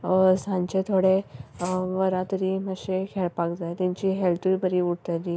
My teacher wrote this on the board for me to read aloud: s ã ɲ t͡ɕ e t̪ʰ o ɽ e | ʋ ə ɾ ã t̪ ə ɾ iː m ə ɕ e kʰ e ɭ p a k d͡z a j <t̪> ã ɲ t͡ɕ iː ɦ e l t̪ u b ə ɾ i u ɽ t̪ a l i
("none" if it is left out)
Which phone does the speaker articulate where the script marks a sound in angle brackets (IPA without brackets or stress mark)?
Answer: t̪